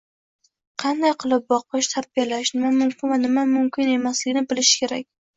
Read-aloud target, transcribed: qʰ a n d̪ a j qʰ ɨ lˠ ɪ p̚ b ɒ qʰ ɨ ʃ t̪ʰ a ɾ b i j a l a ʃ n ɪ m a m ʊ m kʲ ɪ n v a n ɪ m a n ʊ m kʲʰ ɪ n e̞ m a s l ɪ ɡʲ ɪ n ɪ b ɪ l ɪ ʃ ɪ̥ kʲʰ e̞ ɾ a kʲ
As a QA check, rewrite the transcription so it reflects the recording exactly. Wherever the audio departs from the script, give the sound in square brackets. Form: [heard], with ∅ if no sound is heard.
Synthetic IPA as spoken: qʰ [ɑ] n d̪ a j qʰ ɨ lˠ ɪ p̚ b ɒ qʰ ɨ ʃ t̪ʰ a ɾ b i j a l a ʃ n ɪ m a m ʊ m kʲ ɪ n v a n ɪ m a [m] ʊ m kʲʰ ɪ n e̞ m a s l ɪ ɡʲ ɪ n ɪ b ɪ l ɪ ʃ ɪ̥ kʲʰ e̞ ɾ a kʲ

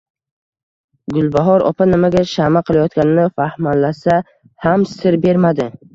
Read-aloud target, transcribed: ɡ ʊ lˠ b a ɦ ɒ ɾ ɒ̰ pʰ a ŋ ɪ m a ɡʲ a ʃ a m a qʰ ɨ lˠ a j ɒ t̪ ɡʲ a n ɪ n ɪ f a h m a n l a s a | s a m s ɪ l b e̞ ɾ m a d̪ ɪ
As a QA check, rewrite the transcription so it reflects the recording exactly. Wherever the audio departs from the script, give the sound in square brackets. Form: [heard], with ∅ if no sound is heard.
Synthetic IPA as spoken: ɡ ʊ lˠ b a ɦ ɒ ɾ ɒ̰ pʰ a [n] ɪ m a ɡʲ a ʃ a m a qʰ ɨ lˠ a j ɒ t̪ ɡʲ a n ɪ n ɪ f a h m a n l a s a | [h] a m s ɪ [ɾ] b e̞ ɾ m a d̪ ɪ

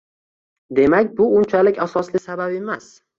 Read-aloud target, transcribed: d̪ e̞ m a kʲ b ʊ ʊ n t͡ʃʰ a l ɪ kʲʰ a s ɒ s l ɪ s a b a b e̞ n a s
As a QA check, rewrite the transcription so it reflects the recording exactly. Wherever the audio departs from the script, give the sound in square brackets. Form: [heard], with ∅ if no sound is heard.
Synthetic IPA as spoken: d̪ e̞ m a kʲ b ʊ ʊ n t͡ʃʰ a l ɪ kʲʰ a s ɒ s l ɪ s a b a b e̞ [m] a s

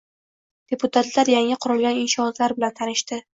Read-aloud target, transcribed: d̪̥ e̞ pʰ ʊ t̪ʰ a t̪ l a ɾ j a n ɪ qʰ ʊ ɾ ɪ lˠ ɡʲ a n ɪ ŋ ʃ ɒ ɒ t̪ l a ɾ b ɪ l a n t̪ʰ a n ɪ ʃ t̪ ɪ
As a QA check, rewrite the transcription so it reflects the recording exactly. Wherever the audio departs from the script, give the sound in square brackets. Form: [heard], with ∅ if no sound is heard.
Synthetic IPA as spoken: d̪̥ e̞ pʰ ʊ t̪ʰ a t̪ l a ɾ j a [ŋ] ɪ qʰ ʊ ɾ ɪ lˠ ɡʲ a n ɪ [n] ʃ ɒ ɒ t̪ l a ɾ b ɪ l a n t̪ʰ a n ɪ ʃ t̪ ɪ

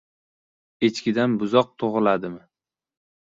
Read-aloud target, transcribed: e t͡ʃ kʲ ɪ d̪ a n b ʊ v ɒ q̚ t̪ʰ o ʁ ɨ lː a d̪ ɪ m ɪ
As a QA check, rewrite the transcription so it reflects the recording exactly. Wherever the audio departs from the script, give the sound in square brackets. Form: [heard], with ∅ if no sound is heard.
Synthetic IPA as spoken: e t͡ʃ kʲ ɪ d̪ a n b ʊ [z] ɒ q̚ t̪ʰ o ʁ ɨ [l] a d̪ ɪ m ɪ

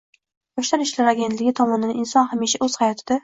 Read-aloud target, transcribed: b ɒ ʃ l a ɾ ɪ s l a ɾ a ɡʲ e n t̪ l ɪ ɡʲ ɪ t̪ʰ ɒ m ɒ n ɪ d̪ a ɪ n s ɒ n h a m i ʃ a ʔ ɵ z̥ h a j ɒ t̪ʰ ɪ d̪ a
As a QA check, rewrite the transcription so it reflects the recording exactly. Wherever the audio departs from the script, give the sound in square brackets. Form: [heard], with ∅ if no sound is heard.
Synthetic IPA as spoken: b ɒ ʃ l a ɾ ɪ [ʃ] l a ɾ a ɡʲ e n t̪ l ɪ ɡʲ ɪ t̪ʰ ɒ m ɒ n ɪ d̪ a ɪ n s ɒ n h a m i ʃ a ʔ ɵ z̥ h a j ɒ t̪ʰ ɪ d̪ a

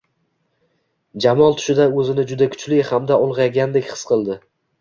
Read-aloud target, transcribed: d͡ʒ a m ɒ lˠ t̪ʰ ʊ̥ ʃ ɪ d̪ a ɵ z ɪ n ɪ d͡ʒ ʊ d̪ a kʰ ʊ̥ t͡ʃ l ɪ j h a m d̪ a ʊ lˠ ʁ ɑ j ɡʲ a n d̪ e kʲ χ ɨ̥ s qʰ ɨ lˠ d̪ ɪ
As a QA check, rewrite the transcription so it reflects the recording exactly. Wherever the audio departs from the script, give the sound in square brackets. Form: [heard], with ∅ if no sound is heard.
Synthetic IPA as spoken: d͡ʒ a m ɒ lˠ t̪ʰ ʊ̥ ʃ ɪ d̪ a ɵ z ɪ n ɪ d͡ʒ ʊ d̪ a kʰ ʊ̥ t͡ʃ l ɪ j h a m d̪ a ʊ lˠ ʁ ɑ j ɡʲ a n d̪ e kʲ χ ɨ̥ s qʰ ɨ lˠ d̪ ɪ

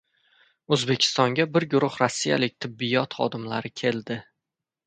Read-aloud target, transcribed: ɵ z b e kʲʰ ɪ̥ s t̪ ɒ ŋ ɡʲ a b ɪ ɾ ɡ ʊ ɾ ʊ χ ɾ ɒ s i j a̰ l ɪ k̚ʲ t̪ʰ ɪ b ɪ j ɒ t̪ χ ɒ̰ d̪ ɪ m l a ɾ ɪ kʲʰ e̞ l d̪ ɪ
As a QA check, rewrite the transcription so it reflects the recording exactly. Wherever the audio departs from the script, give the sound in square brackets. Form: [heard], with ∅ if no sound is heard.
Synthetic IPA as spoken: ɵ z b e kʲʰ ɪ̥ s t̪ ɒ ŋ ɡʲ a b ɪ ɾ ɡ ʊ ɾ ʊ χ ɾ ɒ [sː] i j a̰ l ɪ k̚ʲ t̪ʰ ɪ [bː] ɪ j ɒ t̪ χ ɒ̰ d̪ ɪ m l a ɾ ɪ kʲʰ e̞ l d̪ ɪ

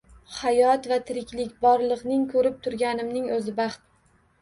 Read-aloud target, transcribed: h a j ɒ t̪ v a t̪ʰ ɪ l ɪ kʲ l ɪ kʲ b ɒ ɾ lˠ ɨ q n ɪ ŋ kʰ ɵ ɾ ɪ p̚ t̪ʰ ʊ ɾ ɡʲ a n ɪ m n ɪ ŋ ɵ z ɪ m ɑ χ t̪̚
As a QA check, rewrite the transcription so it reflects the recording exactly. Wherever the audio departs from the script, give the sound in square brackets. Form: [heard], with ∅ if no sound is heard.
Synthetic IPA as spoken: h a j ɒ t̪ v a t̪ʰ ɪ [ɾ] ɪ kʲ l ɪ kʲ b ɒ ɾ lˠ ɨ q n ɪ ŋ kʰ ɵ ɾ ɪ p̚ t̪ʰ ʊ ɾ ɡʲ a n ɪ m n ɪ ŋ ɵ z ɪ [b] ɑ χ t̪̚

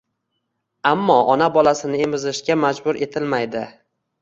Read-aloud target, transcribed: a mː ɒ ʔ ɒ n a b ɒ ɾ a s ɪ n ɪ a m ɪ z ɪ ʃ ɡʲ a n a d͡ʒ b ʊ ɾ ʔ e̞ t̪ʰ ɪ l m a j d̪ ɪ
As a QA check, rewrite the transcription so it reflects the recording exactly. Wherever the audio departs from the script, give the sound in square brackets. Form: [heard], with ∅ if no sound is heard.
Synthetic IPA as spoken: a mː ɒ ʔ ɒ n a b ɒ [l] a s ɪ n ɪ [e] m ɪ z ɪ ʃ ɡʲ a [m] a d͡ʒ b ʊ ɾ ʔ e̞ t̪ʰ ɪ l m a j d̪ ɪ

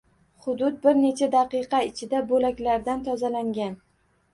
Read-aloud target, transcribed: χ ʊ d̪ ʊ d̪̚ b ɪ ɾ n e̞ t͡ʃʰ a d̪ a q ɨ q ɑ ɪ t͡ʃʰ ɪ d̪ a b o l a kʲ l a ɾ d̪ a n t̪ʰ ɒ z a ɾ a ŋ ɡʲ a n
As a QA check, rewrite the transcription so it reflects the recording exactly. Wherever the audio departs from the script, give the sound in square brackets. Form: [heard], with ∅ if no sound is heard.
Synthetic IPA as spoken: χ ʊ d̪ ʊ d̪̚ b ɪ ɾ n e̞ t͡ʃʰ a d̪ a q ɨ q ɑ ɪ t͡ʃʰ ɪ d̪ a b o l a kʲ l a ɾ d̪ a n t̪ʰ ɒ z a [l] a ŋ ɡʲ a n

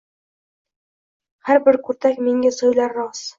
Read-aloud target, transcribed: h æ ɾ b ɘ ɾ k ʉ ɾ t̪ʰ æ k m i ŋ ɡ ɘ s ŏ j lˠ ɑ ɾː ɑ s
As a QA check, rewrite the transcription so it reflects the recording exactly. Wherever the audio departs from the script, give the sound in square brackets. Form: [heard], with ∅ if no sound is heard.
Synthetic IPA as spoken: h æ ɾ b ɘ ɾ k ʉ ɾ [t̪] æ k m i ŋ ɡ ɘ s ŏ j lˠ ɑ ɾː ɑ s

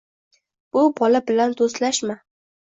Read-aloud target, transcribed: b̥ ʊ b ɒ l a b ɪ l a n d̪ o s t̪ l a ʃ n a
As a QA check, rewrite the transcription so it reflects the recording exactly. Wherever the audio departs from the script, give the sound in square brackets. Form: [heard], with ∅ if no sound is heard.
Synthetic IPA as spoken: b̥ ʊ b ɒ l a b ɪ l a n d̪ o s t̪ l a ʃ [m] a

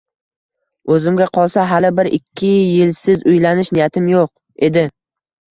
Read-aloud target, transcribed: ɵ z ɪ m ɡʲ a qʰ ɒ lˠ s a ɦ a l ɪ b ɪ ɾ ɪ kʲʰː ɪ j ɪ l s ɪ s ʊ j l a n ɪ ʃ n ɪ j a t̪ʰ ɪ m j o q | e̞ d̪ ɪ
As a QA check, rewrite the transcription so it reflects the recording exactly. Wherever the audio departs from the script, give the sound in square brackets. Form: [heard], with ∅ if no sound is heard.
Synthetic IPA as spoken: ɵ z ɪ m ɡʲ a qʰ ɒ lˠ s a ɦ a l ɪ b ɪ ɾ ɪ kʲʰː ɪ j ɪ l s ɪ [z] ʊ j l a n ɪ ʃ n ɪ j a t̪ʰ ɪ m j o q | e̞ d̪ ɪ

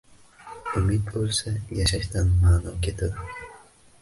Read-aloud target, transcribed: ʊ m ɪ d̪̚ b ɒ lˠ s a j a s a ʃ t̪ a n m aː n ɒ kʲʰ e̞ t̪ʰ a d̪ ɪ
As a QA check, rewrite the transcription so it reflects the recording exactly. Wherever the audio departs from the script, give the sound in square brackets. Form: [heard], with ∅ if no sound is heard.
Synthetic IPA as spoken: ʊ m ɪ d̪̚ b [o] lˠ s a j a [ʃ] a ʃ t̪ a n m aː n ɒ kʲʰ e̞ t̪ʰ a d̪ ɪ

